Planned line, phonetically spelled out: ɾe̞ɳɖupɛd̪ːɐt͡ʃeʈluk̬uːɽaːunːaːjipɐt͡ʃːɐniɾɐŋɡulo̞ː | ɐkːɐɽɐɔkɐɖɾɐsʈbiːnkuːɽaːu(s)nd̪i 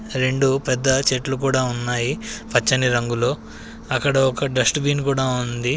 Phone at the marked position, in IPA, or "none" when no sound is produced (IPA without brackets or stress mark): none